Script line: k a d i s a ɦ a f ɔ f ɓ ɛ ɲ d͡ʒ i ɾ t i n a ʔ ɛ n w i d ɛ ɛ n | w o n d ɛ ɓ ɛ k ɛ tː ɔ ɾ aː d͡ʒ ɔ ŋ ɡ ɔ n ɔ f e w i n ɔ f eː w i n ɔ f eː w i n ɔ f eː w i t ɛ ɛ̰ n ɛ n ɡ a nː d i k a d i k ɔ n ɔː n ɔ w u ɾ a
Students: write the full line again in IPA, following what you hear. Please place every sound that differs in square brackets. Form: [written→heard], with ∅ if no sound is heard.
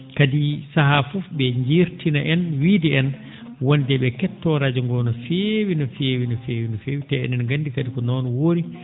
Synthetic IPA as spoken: k a d i s a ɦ a f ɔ f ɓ ɛ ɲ d͡ʒ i ɾ t i n a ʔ ɛ n w i d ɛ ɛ n | w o n d ɛ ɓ ɛ k ɛ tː ɔ ɾ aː d͡ʒ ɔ ŋ ɡ ɔ n ɔ f e w i n ɔ f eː w i n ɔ f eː w i n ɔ f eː w i t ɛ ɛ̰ n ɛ n ɡ a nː d i k a d i k ɔ n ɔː n ɔ w [u→o] ɾ [a→i]